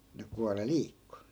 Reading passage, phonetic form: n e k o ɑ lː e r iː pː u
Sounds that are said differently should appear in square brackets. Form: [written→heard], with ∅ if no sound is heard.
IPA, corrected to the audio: n e k [o→u] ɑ [lː→l] e [r→l] iː [pː→kː] u